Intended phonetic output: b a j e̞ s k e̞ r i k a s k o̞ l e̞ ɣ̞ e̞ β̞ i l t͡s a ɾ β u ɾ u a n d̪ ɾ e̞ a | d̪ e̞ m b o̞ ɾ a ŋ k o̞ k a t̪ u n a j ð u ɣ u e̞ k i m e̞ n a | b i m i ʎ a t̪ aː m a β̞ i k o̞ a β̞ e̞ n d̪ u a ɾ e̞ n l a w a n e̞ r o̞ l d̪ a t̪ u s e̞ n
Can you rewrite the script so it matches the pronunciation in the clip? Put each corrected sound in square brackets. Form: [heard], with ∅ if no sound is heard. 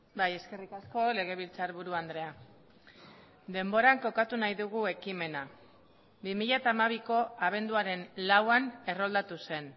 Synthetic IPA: b a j e̞ s k e̞ r i k a s k o̞ l e̞ ɣ̞ e̞ β̞ i l t͡s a ɾ β u ɾ u a n d̪ ɾ e̞ a | d̪ e̞ m b o̞ ɾ a ŋ k o̞ k a t̪ u n a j ð u ɣ u e̞ k i m e̞ n a | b i m i ʎ a t̪ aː m a β̞ i k o̞ a β̞ e̞ n d̪ u a ɾ e̞ n l a w a n e̞ r o̞ l d̪ a t̪ u s e̞ n